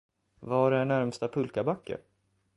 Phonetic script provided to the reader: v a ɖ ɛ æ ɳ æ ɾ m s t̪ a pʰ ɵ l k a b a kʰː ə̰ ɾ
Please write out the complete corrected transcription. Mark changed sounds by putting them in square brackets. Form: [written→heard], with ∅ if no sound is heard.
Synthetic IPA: v a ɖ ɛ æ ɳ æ ɾ m s t̪ a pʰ ɵ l k a b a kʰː ə̰ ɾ